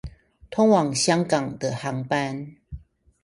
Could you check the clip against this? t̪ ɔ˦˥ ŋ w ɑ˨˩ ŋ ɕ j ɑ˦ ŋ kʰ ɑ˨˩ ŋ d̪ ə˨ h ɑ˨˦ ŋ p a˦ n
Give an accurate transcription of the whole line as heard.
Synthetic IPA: t̪ʰ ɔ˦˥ ŋ w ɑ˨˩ ŋ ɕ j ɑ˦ ŋ k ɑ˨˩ ŋ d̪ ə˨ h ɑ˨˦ ŋ p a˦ n

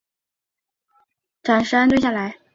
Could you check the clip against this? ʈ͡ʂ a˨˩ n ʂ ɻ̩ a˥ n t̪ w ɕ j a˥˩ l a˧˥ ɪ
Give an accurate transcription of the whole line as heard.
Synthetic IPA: ʈ͡ʂ a˨˩ n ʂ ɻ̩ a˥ n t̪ w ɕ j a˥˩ l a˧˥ ɪ

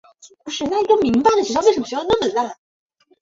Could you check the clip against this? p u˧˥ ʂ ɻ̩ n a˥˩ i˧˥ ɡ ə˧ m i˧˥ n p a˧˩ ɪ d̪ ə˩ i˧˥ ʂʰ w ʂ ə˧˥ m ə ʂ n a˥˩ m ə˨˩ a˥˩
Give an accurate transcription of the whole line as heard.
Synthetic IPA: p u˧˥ ʂ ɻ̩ n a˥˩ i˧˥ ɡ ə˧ m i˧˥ ŋ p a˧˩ ɪ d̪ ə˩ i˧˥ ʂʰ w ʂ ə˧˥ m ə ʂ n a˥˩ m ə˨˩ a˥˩

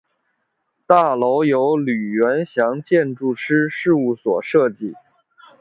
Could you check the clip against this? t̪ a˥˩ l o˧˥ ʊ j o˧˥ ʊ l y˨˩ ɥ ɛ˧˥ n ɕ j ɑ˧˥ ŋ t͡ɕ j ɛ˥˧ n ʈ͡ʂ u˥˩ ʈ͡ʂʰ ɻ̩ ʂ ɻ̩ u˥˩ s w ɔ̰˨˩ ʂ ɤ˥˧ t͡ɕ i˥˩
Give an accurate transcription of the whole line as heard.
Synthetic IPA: t̪ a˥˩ l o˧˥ ʊ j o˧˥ ʊ l y˨˩ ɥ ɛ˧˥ n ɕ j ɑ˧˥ ŋ t͡ɕ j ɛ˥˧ n ʈ͡ʂ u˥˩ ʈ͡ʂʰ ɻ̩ ʂ ɻ̩ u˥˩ s w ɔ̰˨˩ ʂ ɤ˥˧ t͡ɕ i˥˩

